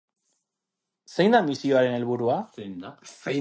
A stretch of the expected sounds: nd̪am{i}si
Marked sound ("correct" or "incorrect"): correct